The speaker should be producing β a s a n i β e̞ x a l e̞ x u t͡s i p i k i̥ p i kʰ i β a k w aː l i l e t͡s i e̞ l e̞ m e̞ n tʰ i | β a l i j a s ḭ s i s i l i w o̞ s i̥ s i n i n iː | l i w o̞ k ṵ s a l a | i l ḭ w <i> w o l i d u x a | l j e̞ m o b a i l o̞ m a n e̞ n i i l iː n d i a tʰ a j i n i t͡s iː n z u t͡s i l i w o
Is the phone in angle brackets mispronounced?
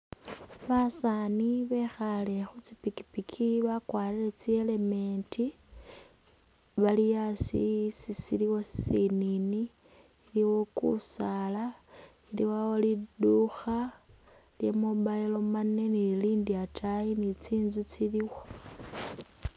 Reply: yes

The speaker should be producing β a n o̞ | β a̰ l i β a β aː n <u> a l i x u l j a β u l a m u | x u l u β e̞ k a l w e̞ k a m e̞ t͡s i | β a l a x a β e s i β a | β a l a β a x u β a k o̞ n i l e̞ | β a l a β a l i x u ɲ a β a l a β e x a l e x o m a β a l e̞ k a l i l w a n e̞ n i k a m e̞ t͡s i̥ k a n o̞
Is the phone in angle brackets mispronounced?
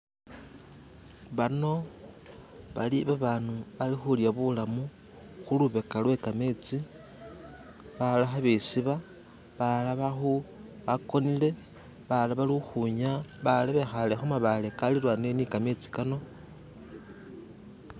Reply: no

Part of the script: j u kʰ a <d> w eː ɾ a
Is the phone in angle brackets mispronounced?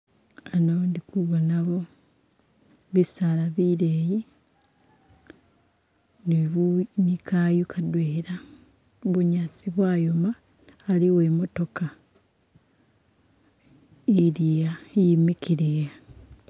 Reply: no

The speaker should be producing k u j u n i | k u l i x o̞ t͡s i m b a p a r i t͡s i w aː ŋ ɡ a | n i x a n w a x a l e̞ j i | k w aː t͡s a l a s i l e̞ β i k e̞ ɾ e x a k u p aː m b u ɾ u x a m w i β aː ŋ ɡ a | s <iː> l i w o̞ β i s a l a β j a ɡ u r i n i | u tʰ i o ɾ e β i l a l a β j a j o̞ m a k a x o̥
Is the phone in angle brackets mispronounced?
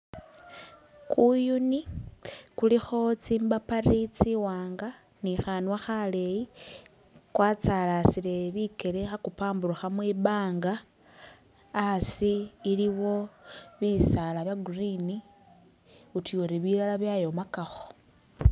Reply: no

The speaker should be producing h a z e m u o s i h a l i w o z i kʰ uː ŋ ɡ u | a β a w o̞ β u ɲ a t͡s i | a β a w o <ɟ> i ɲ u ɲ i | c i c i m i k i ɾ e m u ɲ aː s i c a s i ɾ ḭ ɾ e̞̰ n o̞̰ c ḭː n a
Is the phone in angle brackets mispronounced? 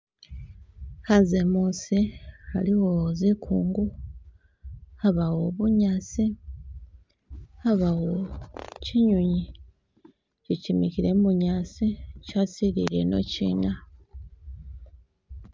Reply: yes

